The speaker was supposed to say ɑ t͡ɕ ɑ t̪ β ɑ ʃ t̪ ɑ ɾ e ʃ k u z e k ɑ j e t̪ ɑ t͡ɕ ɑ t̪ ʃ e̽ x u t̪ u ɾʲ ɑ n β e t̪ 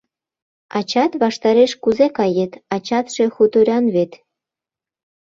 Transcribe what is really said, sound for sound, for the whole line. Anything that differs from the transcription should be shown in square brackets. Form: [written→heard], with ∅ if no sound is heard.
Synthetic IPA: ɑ t͡ɕ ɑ t̪ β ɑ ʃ t̪ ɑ ɾ e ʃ k u z e k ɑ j e t̪ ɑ t͡ɕ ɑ t̪ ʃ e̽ x u t̪ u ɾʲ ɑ n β e t̪